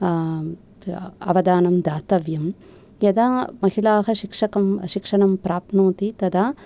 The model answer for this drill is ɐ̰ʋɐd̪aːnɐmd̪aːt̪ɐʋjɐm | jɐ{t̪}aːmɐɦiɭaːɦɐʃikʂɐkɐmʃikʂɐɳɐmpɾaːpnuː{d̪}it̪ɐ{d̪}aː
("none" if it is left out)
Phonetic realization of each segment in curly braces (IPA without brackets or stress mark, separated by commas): d̪, t̪, d̪